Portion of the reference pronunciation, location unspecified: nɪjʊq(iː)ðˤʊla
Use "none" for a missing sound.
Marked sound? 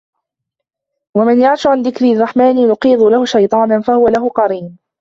iː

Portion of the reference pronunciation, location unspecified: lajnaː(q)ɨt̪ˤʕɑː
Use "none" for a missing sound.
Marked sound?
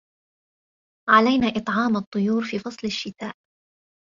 ʔ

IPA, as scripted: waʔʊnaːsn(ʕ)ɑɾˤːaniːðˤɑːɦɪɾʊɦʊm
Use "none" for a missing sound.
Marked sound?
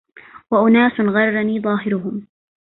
ɣ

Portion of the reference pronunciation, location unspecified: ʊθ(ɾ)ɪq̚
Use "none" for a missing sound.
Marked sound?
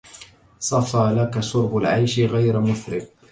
ɾ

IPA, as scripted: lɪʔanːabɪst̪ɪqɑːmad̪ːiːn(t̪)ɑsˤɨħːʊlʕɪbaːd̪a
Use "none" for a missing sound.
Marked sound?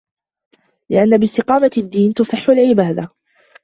t̪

